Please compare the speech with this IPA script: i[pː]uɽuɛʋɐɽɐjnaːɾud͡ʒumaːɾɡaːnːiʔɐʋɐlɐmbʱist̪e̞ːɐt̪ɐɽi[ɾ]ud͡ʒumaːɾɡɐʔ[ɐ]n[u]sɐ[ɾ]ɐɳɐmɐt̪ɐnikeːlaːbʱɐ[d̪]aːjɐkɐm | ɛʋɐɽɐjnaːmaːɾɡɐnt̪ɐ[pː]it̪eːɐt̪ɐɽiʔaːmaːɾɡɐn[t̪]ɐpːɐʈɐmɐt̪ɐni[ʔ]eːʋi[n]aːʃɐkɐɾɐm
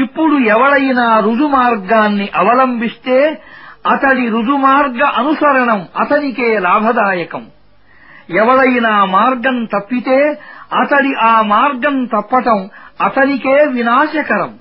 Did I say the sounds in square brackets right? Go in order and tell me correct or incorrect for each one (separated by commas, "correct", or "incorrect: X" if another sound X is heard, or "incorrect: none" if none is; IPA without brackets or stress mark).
correct, correct, correct, correct, correct, correct, correct, correct, incorrect: k, correct